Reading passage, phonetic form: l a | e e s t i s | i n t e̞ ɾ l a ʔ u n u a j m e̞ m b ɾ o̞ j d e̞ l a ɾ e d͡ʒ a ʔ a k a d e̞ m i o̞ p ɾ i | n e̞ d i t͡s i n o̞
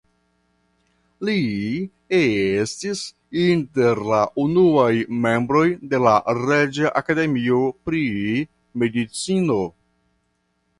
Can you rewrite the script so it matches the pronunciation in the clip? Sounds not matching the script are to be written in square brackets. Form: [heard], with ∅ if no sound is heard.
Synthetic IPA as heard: l [i] | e e s t i s | i n t e̞ ɾ l a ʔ u n u a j m e̞ m b ɾ o̞ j d e̞ l a ɾ e d͡ʒ a ʔ a k a d e̞ m i o̞ p ɾ i | [m] e̞ d i t͡s i n o̞

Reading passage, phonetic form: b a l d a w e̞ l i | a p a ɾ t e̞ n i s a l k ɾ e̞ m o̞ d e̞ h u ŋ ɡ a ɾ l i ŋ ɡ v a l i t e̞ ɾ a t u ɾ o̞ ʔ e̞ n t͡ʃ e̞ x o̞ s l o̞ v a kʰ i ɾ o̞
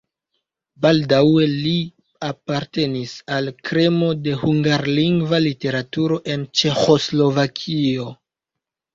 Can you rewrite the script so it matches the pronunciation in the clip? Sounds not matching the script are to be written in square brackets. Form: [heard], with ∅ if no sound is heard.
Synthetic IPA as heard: b a l d a w e̞ l i | a p a ɾ t e̞ n i s a l k ɾ e̞ m o̞ d e̞ h u ŋ ɡ a ɾ l i ŋ ɡ v a l i t e̞ ɾ a t u ɾ o̞ ʔ e̞ n t͡ʃ e̞ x o̞ s l o̞ v a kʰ i [∅] o̞

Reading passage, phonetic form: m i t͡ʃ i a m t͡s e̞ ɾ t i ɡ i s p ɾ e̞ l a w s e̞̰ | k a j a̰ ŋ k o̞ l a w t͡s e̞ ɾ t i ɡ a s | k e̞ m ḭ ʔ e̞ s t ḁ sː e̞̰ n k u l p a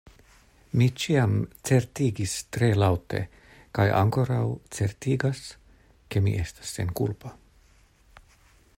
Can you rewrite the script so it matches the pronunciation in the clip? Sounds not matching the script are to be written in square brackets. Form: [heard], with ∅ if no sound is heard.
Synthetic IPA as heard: m i t͡ʃ i a m t͡s e̞ ɾ t i ɡ i s [t] ɾ e̞ l a w [t] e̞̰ | k a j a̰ ŋ k o̞ [ɾ] a w t͡s e̞ ɾ t i ɡ a s | k e̞ m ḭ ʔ e̞ s t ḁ sː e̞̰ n k u l p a

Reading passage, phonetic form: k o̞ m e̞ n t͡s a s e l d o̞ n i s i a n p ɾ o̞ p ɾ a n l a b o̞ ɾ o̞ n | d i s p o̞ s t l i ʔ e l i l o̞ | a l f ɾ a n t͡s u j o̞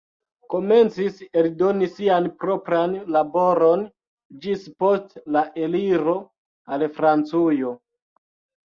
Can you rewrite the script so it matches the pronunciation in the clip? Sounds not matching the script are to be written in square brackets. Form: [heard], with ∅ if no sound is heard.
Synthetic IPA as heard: k o̞ m e̞ n t͡s [i] s e l d o̞ n i s i a n p ɾ o̞ p ɾ a n l a b o̞ ɾ o̞ n | [d͡ʒ] i s p o̞ s t l [a] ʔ e l i [ɾ] o̞ | a l f ɾ a n t͡s u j o̞

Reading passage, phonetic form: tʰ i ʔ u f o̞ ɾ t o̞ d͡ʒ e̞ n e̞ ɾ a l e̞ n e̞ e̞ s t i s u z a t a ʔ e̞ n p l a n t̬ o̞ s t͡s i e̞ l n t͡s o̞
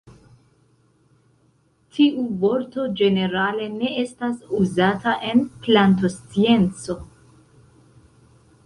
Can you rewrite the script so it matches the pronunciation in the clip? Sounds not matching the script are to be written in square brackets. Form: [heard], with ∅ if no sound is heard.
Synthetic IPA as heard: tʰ i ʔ u [v] o̞ ɾ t o̞ d͡ʒ e̞ n e̞ ɾ a l e̞ n e̞ e̞ s t [a] s u z a t a ʔ e̞ n p l a n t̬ o̞ s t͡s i e̞ [∅] n t͡s o̞

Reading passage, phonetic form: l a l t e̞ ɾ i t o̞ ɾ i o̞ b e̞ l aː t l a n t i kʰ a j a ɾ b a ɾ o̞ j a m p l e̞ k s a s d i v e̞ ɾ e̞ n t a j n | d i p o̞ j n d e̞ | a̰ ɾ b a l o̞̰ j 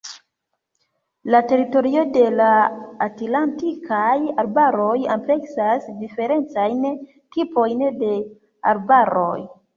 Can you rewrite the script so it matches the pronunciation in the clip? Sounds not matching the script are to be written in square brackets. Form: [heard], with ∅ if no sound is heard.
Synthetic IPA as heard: l a [∅] t e̞ ɾ i t o̞ ɾ i o̞ [d] e̞ l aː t l a n t i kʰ a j a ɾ b a ɾ o̞ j a m p l e̞ k s a s d i [f] e̞ ɾ e̞ n [t͡s] a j n | [t] i p o̞ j n d e̞ | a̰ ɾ b a [ɾ] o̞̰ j

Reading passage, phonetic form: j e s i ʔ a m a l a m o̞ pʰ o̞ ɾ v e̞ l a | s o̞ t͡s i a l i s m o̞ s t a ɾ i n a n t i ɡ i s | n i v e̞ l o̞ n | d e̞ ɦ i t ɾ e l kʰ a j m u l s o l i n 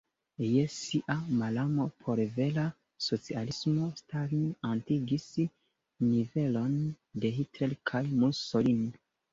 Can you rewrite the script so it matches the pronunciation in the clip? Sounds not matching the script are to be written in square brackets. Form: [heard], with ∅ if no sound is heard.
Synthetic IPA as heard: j e s i ʔ a m a l a m o̞ pʰ o̞ ɾ v e̞ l a | s o̞ t͡s i a l i s m o̞ s t a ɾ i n a n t i ɡ i s | n i v e̞ l o̞ n | d e̞ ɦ i t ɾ e l kʰ a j m u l s o l i n

